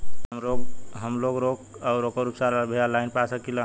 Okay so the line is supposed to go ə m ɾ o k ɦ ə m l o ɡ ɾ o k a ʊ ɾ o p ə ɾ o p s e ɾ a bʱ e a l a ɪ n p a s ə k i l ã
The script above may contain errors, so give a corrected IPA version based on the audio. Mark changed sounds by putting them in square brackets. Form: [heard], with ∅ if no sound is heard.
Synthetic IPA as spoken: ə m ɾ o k ɦ ə m l o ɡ ɾ o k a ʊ ɾ o [k] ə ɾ [u] p s [a] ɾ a bʱ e a l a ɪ n p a s ə k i l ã